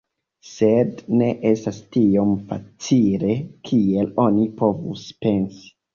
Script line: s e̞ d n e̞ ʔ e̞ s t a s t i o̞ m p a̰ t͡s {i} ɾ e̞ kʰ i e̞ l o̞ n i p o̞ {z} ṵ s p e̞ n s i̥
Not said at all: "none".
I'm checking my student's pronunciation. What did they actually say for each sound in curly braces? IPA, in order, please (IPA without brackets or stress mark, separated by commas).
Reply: i, v